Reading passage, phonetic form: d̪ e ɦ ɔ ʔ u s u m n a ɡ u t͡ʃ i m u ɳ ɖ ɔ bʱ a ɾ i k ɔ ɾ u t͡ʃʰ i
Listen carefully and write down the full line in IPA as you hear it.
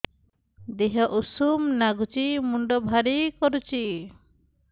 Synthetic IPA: d̪ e ɦ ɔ ʔ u s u m n a ɡ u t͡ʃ i m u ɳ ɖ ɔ bʱ a ɾ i k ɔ ɾ u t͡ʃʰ i